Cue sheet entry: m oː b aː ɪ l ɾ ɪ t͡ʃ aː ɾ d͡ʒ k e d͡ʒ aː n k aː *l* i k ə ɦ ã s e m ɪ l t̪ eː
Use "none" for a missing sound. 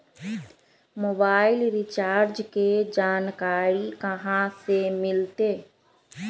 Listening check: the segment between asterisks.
ɾ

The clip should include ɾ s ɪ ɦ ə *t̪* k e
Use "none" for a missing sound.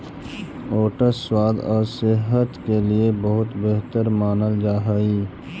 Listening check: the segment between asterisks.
t̪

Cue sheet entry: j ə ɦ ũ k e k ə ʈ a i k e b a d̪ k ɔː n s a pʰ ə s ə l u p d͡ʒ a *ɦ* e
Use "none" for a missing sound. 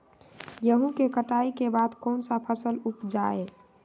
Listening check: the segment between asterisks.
none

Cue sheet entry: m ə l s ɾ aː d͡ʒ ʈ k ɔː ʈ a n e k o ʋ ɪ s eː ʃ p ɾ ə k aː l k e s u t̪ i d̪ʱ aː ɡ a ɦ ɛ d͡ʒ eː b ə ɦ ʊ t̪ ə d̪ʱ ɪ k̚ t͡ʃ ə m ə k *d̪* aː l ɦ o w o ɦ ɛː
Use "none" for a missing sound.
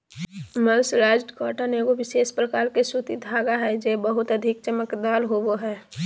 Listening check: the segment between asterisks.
d̪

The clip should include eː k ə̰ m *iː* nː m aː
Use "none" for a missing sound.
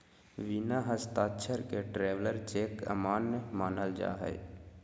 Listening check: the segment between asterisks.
aː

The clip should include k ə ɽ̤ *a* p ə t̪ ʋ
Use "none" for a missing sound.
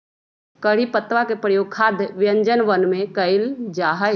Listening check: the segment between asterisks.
i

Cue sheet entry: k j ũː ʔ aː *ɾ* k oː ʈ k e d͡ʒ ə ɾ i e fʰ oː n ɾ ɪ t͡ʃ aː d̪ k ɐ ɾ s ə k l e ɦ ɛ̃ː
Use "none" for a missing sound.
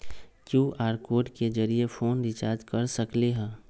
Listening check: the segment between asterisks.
ɾ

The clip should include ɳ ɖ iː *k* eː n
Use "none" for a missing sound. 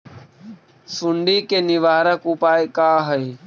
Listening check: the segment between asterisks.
k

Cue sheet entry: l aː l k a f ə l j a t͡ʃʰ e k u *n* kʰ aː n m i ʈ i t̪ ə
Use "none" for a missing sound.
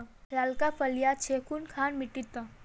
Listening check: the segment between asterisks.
n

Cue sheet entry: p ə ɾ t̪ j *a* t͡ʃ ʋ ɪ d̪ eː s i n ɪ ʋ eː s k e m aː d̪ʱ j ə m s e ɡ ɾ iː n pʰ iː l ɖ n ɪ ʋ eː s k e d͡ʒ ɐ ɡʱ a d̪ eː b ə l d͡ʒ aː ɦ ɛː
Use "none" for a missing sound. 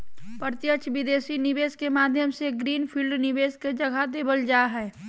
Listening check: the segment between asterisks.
ə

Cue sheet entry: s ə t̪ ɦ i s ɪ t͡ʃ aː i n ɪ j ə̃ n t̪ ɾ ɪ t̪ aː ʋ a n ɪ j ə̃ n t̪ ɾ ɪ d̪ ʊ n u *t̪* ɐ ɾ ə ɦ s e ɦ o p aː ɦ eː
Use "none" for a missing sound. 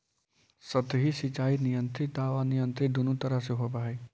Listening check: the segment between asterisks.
t̪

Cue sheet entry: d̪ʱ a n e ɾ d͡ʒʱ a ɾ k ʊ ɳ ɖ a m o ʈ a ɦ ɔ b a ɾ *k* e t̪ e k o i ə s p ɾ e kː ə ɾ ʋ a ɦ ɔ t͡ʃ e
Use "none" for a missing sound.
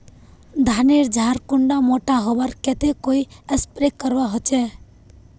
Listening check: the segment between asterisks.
k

